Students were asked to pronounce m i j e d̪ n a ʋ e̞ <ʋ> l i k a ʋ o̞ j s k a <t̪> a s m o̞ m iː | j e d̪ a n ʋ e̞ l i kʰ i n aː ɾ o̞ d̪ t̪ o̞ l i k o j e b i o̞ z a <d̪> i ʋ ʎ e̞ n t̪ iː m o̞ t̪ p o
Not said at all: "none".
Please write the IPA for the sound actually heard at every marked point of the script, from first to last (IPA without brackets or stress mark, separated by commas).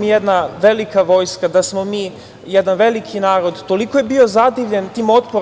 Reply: none, d̪, d̪